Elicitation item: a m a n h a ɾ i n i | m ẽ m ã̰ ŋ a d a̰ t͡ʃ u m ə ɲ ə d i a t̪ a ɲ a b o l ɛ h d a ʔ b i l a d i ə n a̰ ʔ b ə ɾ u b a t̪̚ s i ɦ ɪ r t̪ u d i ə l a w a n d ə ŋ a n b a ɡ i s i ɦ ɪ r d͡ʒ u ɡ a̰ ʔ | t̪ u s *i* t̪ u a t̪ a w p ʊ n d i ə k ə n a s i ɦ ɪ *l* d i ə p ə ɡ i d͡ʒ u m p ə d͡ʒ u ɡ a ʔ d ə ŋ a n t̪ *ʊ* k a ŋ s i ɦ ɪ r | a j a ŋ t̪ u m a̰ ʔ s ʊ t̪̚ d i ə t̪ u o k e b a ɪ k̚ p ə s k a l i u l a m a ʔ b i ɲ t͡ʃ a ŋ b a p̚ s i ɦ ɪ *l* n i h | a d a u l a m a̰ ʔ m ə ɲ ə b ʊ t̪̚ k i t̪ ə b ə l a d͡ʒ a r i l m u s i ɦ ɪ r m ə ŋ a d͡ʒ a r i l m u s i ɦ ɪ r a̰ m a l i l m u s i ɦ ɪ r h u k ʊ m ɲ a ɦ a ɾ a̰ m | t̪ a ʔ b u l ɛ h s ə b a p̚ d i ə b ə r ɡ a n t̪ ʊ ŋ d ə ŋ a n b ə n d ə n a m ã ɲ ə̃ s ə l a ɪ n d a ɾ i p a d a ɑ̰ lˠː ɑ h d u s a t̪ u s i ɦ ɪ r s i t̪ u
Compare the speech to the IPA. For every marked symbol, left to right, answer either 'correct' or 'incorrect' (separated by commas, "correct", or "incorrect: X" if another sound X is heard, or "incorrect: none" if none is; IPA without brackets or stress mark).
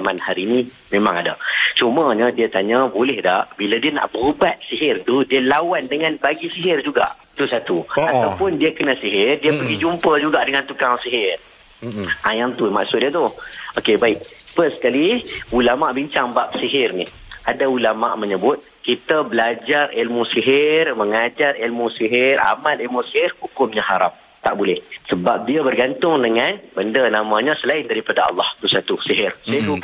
incorrect: a, incorrect: r, incorrect: u, incorrect: r